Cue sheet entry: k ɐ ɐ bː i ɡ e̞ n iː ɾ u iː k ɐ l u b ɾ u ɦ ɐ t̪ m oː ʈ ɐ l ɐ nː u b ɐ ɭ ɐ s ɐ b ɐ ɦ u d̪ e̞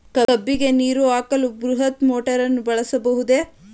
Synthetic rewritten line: k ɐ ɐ bː i ɡ e̞ n iː ɾ u aː k ɐ l u b ɾ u ɦ ɐ t̪ m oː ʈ ɐ ɾ ɐ nː u b ɐ ɭ ɐ s ɐ b ɐ ɦ u d̪ e̞